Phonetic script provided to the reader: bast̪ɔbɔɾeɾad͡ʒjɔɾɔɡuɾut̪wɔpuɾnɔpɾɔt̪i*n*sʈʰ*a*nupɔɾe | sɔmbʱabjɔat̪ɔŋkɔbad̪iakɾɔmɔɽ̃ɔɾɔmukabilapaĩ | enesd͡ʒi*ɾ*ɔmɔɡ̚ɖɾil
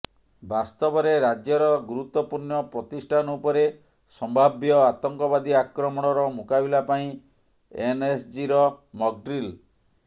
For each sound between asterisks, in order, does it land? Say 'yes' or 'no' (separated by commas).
no, yes, yes